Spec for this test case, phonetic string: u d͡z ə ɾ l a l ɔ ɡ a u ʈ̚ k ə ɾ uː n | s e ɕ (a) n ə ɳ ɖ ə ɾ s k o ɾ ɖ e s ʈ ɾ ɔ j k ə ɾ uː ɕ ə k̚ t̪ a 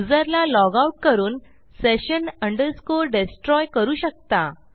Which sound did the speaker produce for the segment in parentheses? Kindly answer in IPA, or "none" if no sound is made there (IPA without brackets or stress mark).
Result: ə